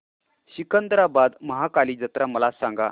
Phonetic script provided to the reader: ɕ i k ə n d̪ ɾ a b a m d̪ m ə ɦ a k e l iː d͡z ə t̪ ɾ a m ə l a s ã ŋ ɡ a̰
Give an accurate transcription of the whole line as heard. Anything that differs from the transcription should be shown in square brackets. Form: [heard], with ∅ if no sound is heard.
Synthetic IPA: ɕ i k ə n d̪ ɾ a b a [∅] d̪ m ə ɦ a k [a] l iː d͡z ə t̪ ɾ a m ə l a s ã ŋ ɡ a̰